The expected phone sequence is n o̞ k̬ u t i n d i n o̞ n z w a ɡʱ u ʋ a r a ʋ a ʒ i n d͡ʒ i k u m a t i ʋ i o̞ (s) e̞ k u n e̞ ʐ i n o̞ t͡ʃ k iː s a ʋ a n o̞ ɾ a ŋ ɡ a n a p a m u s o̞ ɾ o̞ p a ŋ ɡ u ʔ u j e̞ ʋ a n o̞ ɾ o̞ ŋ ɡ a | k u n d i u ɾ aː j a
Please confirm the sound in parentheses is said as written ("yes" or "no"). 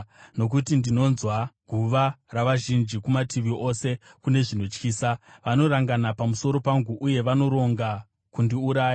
yes